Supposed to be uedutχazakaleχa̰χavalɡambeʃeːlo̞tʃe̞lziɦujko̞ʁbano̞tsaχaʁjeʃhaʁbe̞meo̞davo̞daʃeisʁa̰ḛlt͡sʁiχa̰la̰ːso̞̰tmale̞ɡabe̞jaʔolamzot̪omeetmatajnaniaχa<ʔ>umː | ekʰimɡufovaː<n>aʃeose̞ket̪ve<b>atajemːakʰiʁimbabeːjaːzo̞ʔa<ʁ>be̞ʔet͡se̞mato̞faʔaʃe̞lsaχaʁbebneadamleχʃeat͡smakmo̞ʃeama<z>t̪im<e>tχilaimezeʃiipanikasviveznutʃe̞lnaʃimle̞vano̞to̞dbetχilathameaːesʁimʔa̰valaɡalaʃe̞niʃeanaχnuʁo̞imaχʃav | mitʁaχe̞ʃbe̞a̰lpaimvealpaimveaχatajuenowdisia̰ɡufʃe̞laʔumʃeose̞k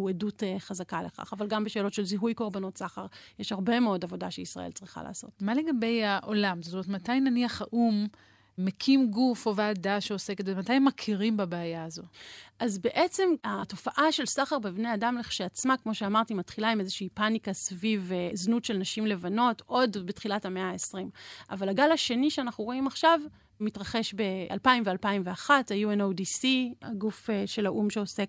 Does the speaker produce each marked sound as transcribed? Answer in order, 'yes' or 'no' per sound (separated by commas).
yes, no, no, no, no, no